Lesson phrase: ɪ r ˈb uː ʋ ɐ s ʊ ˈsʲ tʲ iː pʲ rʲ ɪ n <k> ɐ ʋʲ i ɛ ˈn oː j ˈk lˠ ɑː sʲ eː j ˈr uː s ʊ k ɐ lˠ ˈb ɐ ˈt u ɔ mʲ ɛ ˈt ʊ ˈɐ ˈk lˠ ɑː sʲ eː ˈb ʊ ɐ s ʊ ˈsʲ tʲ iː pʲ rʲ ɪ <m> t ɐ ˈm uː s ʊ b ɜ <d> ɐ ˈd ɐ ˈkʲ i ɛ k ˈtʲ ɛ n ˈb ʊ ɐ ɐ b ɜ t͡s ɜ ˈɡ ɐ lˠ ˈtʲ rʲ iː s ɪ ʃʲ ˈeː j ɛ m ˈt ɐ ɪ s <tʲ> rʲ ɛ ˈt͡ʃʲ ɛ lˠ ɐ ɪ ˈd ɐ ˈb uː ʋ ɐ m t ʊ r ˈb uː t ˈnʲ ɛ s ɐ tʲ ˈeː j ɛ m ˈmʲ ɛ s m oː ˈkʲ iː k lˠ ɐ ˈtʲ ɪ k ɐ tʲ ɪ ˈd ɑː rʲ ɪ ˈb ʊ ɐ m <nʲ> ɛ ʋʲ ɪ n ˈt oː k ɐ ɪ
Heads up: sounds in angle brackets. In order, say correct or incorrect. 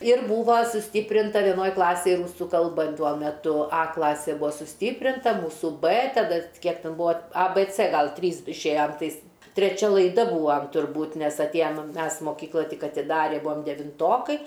incorrect, incorrect, incorrect, correct, incorrect

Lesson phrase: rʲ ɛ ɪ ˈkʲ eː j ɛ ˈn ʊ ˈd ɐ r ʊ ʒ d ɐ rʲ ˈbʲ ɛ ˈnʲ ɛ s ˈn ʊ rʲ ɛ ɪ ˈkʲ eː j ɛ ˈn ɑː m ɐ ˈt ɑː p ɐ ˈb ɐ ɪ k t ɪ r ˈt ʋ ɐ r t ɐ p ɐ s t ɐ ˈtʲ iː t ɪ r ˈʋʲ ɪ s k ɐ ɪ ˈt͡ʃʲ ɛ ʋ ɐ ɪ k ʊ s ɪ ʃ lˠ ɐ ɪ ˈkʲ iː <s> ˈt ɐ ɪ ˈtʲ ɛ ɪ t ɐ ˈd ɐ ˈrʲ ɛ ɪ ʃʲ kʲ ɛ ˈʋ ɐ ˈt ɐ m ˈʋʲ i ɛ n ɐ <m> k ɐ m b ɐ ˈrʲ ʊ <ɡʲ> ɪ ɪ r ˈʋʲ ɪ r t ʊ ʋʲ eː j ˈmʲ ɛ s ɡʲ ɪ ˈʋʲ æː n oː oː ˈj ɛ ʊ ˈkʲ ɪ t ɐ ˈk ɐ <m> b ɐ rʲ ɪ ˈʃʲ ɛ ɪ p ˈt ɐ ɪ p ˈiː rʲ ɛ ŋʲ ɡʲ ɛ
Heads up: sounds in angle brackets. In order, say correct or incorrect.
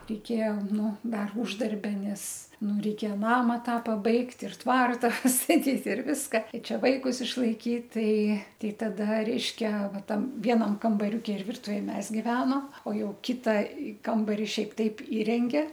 incorrect, correct, incorrect, correct

